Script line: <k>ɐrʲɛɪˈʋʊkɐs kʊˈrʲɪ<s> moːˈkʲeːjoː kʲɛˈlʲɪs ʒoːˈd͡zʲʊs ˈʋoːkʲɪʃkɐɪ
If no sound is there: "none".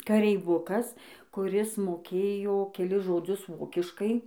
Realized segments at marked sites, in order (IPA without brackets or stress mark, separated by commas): k, s